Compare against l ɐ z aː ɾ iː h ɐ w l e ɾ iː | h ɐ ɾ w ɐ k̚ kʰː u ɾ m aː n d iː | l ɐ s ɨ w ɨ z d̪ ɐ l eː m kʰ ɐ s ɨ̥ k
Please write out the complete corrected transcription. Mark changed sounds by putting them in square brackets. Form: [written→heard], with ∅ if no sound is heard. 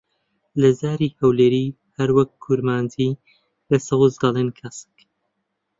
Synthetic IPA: l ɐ z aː ɾ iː h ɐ w l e ɾ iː | h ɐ ɾ w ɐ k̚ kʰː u ɾ m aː n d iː | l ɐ s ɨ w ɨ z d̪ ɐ l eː [m→n] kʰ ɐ s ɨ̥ k

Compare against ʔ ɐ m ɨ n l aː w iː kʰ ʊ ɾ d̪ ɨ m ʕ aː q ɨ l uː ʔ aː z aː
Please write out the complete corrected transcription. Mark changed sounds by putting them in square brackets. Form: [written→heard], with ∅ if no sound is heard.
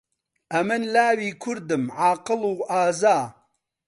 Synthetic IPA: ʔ ɐ m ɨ n l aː w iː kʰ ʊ ɾ d̪ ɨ m ʕ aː q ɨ l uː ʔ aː z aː

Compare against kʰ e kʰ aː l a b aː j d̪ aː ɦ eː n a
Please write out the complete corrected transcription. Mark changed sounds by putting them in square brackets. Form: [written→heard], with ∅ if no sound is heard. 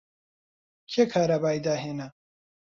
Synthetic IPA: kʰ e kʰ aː [l→ɾ] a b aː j d̪ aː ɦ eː n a

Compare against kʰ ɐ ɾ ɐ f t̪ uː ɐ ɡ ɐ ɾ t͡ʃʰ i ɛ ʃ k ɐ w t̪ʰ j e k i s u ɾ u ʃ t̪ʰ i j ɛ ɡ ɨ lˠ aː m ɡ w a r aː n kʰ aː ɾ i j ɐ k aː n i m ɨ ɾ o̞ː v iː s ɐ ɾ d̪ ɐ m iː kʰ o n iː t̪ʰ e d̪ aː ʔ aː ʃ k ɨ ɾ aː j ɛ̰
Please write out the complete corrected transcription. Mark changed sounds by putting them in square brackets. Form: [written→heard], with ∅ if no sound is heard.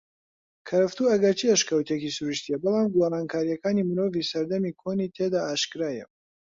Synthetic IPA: kʰ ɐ ɾ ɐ f t̪ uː ɐ ɡ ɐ ɾ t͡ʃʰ i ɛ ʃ k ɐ w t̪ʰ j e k i s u ɾ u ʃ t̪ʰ i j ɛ [ɡ→b] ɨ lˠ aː m ɡ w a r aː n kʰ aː ɾ i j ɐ k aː n i m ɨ ɾ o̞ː v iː s ɐ ɾ d̪ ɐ m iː kʰ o n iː t̪ʰ e d̪ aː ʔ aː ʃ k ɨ ɾ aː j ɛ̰

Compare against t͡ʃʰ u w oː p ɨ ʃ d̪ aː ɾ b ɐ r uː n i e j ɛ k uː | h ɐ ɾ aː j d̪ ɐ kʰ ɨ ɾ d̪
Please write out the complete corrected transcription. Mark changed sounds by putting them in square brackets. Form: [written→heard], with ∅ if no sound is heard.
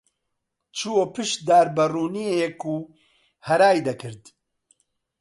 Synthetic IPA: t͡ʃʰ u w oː p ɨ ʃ d̪ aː ɾ b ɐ r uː n i e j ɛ k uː | h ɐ ɾ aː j d̪ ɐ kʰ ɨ ɾ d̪

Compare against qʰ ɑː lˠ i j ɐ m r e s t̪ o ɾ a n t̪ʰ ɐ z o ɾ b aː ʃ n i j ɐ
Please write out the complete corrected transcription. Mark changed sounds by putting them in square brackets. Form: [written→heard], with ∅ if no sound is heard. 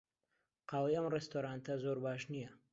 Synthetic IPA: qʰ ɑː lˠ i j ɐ m r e s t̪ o ɾ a n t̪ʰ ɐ z o ɾ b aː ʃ n i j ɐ

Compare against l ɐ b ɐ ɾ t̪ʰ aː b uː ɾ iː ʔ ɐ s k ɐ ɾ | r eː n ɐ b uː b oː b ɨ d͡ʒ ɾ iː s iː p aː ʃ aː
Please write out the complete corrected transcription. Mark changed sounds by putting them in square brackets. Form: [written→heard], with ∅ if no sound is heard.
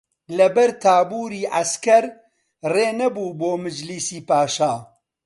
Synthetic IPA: l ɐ b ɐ ɾ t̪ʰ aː b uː ɾ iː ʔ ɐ s k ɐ ɾ | r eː n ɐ b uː b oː [b→m] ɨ d͡ʒ [ɾ→l] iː s iː p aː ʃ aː

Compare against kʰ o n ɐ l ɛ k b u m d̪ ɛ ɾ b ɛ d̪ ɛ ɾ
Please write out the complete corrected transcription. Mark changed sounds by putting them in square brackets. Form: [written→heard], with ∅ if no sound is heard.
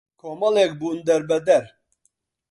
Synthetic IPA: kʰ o [n→m] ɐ l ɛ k b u [m→n] d̪ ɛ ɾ b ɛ d̪ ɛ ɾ

